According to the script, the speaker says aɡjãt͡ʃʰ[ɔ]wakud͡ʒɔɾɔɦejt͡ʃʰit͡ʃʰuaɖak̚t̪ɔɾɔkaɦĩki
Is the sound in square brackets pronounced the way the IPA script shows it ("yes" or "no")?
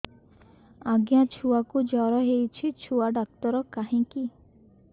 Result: no